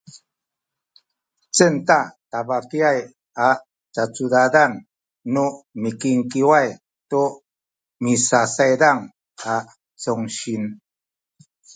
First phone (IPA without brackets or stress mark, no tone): t͡s